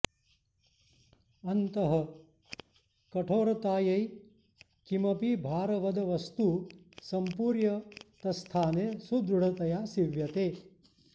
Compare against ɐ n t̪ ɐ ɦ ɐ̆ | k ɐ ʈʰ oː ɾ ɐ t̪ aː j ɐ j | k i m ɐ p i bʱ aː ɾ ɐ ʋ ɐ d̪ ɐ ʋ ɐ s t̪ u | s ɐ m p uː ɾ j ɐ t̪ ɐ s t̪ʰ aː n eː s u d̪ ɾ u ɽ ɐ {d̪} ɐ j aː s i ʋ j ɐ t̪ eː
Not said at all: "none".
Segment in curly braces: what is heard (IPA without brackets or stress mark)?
t̪